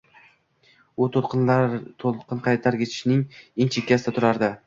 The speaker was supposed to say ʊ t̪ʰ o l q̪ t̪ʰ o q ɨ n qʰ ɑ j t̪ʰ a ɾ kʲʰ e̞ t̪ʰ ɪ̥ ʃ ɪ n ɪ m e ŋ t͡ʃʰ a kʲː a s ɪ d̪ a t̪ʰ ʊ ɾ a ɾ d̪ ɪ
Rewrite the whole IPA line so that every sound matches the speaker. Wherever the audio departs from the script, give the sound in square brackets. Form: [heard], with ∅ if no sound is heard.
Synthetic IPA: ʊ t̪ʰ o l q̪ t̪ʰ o q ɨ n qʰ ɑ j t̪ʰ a ɾ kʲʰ e̞ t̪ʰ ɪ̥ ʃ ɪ n ɪ [ŋ] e ŋ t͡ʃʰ [e] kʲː a s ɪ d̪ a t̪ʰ ʊ ɾ a ɾ d̪ ɪ